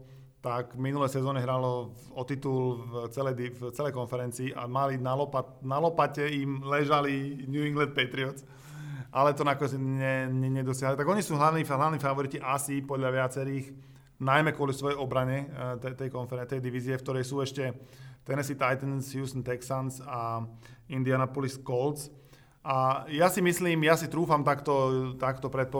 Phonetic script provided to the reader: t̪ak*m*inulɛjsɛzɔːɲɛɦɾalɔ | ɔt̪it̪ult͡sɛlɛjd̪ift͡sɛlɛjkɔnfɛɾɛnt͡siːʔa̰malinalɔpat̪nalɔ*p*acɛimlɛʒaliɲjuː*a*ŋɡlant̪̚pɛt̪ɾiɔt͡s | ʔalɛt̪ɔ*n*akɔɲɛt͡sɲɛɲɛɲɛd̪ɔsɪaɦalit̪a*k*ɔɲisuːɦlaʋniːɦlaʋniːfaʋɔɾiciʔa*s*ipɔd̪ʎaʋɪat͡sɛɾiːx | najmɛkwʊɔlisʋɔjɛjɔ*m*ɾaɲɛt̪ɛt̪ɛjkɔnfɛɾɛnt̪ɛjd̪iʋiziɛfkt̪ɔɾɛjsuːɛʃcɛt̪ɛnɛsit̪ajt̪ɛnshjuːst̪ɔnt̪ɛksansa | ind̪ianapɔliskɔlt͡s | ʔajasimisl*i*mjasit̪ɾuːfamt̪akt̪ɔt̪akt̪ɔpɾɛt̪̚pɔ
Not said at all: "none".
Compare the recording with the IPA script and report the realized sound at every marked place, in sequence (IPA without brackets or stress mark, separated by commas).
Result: m, p, i, n, ɡ, s, b, iː